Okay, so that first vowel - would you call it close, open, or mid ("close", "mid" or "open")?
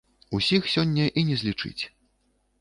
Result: close